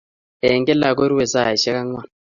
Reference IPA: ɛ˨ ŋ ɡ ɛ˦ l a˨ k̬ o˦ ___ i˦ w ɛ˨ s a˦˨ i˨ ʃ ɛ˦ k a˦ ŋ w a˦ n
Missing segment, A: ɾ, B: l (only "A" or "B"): A